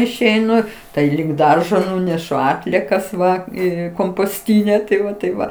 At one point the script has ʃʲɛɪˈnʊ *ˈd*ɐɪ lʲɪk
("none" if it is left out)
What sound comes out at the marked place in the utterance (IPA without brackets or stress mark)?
t